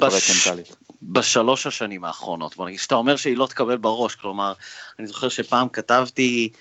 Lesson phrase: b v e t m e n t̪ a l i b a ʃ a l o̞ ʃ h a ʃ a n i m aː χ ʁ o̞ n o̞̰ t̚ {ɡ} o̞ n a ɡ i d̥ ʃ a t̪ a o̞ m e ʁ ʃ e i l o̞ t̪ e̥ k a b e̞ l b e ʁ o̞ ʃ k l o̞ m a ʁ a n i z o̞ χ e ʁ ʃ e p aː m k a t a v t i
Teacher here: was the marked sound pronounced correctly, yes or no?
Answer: no